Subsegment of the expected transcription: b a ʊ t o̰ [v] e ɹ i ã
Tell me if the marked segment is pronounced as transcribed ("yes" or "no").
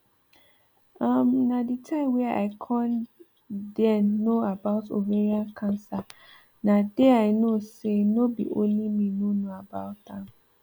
yes